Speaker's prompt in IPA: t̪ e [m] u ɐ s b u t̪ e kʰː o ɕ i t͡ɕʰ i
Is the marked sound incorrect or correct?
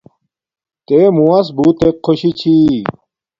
correct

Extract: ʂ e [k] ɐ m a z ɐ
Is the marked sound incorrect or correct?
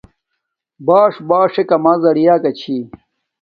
correct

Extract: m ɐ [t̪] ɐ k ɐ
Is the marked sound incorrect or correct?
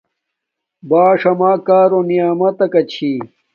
correct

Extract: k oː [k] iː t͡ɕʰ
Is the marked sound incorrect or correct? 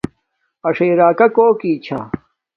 correct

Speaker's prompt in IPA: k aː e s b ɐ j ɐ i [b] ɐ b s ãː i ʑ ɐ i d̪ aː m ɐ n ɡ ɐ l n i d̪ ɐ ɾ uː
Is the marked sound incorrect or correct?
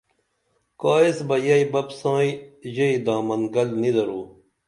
correct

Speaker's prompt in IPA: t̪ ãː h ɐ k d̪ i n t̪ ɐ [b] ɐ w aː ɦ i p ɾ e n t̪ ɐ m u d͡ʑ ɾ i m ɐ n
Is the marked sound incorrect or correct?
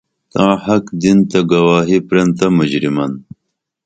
incorrect: ɡ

